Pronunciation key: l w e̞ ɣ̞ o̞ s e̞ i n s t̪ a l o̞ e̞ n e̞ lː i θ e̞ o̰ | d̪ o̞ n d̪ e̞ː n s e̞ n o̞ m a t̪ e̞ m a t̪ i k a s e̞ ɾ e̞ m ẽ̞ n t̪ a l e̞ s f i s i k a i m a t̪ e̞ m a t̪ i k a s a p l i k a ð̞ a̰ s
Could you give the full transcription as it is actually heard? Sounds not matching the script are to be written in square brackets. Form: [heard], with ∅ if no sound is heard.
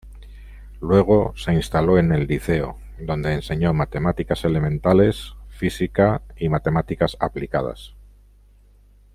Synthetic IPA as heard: l w e̞ ɣ̞ o̞ s e̞ i n s t̪ a l o̞ e̞ n e̞ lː i θ e̞ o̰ | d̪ o̞ n d̪ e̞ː n s e̞ [ɲ] o̞ m a t̪ e̞ m a t̪ i k a s e̞ [l] e̞ m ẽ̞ n t̪ a l e̞ s f i s i k a i m a t̪ e̞ m a t̪ i k a s a p l i k a ð̞ a̰ s